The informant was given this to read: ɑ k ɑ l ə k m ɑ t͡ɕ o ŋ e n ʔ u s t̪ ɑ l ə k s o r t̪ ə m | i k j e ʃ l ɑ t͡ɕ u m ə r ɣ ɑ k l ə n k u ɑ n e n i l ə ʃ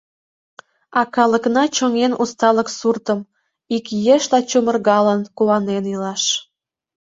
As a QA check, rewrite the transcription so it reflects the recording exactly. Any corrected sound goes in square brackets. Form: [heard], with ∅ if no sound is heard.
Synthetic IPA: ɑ k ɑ l ə k [n] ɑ t͡ɕ o ŋ e n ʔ u s t̪ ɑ l ə k s [u] r t̪ ə m | i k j e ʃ l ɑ t͡ɕ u m ə r ɣ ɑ [∅] l ə n k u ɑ n e n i l [ɑ] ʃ